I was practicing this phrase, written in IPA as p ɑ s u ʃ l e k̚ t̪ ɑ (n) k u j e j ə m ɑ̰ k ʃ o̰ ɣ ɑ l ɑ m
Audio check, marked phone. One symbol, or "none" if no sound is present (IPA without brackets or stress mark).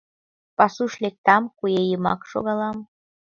m